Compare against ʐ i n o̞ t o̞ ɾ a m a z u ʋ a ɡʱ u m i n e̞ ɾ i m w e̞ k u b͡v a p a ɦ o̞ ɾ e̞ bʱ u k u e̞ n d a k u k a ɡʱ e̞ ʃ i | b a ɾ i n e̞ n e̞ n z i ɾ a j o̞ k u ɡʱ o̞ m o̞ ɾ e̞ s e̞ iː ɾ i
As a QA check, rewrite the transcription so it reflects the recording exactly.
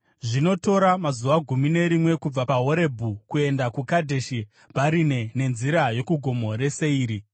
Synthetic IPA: ʐ i n o̞ t o̞ ɾ a m a z u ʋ a ɡʱ u m i n e̞ ɾ i m w e̞ k u b͡v a p a ɦ o̞ ɾ e̞ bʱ u k u e̞ n d a k u k a dʱ e̞ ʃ i | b a ɾ i n e̞ n e̞ n z i ɾ a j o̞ k u ɡʱ o̞ m o̞ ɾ e̞ s e̞ iː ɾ i